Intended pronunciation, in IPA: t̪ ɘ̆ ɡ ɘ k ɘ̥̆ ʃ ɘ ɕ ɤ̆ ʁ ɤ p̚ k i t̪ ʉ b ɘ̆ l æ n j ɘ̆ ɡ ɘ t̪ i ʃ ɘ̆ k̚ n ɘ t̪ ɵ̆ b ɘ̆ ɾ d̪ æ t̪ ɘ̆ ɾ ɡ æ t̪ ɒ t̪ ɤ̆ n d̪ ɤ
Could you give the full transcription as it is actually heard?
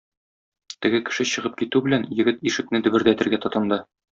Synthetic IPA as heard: t̪ ɘ̆ ɡ ɘ k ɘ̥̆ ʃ ɘ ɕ ɤ̆ ʁ ɤ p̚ k i t̪ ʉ b ɘ̆ l æ n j ɘ̆ ɡ ɘ t̪ i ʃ ɘ̆ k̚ n ɘ d̪ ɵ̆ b ɘ̆ ɾ d̪ æ t̪ ɘ̆ ɾ ɡ æ t̪ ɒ t̪ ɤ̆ n d̪ ɤ